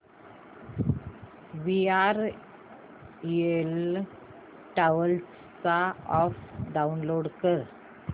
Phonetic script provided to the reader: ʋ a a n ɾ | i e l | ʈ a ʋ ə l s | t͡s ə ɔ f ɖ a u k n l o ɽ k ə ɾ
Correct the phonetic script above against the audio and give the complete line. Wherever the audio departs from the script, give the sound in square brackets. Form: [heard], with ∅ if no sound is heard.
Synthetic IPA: ʋ [i] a [∅] ɾ | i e l | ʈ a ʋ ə l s | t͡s [a] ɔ f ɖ a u [∅] n l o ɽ k ə ɾ